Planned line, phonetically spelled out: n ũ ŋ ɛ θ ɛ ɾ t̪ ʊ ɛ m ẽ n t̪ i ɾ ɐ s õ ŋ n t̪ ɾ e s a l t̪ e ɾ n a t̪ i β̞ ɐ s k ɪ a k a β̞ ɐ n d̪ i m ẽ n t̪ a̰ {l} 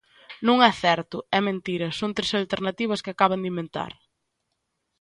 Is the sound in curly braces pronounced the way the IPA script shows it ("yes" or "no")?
no